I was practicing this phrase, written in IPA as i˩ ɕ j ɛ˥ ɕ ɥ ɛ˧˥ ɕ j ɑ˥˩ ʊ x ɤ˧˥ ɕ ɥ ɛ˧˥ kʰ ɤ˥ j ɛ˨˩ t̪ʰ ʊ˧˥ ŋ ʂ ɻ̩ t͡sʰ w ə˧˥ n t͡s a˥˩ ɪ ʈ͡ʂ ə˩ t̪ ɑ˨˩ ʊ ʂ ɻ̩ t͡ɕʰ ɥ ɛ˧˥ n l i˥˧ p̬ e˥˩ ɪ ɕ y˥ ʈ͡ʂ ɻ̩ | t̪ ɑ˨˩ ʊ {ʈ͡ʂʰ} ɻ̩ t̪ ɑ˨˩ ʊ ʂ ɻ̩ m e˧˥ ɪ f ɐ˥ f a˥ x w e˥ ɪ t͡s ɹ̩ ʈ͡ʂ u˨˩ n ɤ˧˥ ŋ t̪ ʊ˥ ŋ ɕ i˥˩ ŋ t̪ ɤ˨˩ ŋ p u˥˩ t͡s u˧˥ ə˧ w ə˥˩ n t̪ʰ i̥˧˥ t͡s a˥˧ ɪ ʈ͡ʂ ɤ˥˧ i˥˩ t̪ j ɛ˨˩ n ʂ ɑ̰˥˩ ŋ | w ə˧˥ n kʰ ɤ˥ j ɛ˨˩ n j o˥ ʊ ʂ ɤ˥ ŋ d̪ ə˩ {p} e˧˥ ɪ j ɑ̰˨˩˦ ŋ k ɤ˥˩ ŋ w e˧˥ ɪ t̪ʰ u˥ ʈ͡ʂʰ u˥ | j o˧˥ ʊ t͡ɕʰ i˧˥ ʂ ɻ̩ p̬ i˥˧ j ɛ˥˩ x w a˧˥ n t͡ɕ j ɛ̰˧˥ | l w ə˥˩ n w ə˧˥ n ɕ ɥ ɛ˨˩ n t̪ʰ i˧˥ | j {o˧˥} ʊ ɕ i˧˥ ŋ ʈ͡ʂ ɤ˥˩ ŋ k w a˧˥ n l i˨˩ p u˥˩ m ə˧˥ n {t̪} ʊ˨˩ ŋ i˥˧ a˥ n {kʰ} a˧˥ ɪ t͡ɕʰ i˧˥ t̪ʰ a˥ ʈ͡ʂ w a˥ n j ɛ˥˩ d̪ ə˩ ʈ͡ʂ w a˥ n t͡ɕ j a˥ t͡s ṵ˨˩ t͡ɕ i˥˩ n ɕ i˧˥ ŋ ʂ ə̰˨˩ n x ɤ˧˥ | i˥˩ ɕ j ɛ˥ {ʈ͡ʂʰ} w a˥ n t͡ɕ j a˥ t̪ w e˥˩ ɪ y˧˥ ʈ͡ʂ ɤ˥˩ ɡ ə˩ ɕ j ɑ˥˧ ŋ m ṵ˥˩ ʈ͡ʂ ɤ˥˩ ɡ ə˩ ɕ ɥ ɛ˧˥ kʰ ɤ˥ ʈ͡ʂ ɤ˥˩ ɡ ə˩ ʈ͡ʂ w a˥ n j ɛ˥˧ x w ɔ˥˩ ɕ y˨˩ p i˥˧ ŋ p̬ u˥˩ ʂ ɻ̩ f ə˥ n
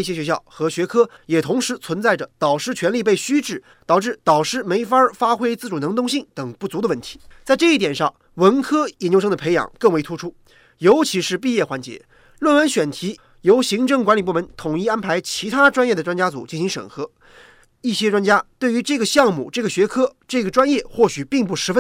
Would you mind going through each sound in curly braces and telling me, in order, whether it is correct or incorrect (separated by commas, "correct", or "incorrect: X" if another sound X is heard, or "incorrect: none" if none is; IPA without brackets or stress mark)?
incorrect: ʈ͡ʂ, incorrect: pʰ, correct, incorrect: t̪ʰ, incorrect: pʰ, incorrect: ʈ͡ʂ